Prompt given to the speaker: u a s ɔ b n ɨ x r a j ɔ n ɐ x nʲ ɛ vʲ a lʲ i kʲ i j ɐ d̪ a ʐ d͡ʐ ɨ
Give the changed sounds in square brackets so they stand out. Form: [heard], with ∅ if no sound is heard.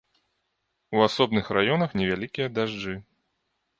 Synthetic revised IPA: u a s ɔ b n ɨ x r a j ɔ n ɐ x nʲ ɛ vʲ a lʲ i kʲ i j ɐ d̪ a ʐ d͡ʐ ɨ